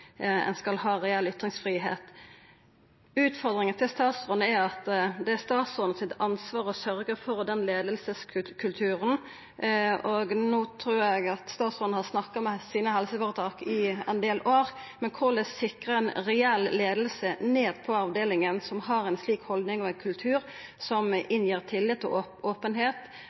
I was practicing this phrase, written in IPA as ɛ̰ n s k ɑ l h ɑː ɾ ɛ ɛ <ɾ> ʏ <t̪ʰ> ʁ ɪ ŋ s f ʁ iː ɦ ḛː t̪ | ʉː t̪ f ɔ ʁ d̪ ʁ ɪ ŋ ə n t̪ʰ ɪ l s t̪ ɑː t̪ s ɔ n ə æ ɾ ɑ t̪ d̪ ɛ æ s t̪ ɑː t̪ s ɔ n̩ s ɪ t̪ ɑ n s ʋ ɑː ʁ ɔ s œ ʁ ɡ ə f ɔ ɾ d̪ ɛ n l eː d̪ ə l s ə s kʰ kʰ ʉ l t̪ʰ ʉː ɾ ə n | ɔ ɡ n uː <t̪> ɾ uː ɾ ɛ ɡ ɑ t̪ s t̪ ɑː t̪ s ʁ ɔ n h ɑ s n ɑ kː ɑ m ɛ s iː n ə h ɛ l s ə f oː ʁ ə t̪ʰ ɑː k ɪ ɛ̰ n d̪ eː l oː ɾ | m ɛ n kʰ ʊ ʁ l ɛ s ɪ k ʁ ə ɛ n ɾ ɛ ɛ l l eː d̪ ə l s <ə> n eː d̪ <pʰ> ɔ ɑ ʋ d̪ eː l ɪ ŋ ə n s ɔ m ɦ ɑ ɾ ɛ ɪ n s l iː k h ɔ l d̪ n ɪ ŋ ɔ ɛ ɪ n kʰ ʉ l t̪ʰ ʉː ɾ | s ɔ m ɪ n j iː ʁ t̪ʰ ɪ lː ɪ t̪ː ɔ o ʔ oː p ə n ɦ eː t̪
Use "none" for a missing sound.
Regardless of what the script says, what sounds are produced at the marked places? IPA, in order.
l, t̪, t̪ʰ, ə, pʰ

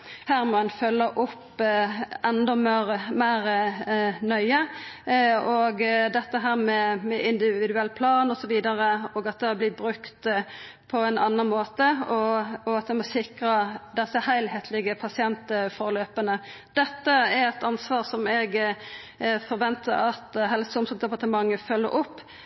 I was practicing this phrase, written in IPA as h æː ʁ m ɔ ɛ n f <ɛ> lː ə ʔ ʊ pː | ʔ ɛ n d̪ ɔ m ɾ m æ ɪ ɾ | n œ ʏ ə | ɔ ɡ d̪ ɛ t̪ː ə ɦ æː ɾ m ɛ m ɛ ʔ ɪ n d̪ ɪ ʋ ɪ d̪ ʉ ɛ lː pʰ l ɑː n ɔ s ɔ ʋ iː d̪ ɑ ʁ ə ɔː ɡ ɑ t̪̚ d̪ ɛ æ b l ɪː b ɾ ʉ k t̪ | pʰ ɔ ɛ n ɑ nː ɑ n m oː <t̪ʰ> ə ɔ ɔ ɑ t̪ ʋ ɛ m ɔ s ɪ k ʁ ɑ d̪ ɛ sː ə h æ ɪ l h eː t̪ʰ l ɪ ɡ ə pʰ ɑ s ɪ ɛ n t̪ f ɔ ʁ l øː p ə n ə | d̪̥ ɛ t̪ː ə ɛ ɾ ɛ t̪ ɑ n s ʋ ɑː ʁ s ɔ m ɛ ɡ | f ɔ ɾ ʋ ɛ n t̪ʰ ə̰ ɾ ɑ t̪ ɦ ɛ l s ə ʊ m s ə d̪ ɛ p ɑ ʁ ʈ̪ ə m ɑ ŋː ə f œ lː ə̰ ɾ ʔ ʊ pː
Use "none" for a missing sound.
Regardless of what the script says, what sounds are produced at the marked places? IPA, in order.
œ, t̪

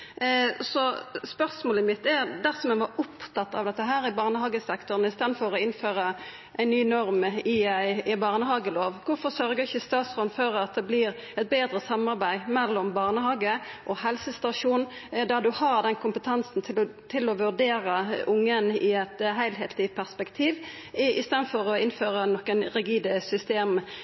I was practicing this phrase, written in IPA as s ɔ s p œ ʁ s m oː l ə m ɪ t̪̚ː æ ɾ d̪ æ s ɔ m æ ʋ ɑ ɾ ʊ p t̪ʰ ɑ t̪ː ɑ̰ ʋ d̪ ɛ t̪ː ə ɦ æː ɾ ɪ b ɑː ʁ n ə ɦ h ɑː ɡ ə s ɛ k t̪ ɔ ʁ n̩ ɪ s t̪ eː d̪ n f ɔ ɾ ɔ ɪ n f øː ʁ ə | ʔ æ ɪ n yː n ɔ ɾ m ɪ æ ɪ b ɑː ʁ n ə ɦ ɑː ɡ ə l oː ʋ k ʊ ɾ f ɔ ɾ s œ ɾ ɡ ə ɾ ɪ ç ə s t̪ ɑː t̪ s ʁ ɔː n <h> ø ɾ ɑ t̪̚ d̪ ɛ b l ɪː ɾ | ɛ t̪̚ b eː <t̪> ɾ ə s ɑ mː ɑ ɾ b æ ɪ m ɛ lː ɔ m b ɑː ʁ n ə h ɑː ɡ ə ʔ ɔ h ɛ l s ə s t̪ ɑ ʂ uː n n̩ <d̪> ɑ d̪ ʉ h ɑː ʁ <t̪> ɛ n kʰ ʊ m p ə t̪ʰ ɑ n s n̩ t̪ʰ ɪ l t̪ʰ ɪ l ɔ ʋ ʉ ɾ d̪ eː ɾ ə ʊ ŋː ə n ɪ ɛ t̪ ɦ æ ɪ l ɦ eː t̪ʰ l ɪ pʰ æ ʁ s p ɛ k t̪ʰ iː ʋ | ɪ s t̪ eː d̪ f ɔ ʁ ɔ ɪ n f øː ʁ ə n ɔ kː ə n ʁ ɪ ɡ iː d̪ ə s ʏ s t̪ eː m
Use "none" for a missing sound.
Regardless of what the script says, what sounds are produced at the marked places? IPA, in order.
f, d̪, d̪, d̪

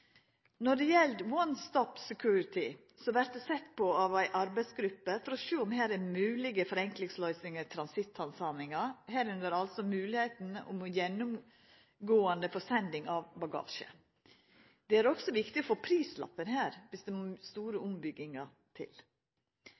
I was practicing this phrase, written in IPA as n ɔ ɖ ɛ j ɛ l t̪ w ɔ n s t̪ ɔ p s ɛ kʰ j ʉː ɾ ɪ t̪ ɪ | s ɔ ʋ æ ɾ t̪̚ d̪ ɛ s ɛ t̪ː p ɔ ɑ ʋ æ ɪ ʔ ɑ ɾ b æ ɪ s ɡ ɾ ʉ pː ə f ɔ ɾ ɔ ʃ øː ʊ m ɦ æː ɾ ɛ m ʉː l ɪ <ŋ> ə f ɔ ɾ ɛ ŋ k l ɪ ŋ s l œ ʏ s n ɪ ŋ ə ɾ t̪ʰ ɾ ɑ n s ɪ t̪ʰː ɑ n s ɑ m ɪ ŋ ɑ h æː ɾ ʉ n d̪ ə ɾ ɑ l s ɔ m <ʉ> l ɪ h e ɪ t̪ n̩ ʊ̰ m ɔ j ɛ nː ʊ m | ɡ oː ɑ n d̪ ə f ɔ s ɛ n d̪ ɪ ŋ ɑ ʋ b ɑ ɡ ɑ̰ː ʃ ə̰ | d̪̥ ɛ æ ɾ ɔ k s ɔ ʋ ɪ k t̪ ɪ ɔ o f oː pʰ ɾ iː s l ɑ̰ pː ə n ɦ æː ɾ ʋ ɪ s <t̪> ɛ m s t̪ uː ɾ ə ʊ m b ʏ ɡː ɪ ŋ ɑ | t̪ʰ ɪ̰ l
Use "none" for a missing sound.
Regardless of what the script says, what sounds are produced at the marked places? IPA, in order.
ɡ, ʉː, d̪

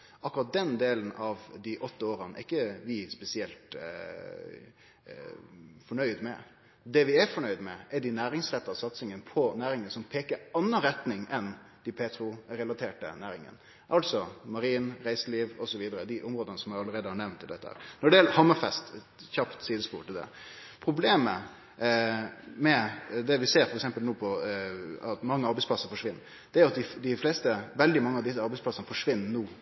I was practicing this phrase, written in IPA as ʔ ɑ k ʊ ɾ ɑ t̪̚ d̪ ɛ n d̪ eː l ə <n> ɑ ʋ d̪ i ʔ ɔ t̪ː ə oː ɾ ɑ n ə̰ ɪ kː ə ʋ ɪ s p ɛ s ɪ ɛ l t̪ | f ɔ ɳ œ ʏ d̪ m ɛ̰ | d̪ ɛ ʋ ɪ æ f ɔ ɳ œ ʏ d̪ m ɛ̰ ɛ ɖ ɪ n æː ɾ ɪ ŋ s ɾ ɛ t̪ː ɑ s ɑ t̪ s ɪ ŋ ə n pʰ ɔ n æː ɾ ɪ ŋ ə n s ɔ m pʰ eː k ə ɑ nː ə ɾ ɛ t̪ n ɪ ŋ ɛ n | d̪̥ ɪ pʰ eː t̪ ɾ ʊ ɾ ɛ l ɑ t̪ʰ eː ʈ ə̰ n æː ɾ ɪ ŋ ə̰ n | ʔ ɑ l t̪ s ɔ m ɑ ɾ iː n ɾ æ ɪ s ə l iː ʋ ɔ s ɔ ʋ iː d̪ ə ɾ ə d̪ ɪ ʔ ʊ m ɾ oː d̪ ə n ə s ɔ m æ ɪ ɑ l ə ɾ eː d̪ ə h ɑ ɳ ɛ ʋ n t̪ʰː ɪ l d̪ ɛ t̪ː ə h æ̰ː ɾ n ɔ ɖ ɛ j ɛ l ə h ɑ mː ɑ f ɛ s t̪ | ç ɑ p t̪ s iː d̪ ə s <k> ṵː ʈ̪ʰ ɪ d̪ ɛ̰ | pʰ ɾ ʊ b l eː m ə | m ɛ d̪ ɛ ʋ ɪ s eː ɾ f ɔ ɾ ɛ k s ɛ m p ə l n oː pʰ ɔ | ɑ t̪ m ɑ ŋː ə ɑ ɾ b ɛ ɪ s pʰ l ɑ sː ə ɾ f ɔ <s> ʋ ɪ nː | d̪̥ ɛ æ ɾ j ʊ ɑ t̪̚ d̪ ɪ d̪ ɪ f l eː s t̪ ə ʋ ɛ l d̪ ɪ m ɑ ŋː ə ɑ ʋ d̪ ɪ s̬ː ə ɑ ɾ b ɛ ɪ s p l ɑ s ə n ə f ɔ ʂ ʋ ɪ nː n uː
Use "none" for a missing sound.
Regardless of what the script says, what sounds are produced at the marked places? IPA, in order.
n, p, ʂ

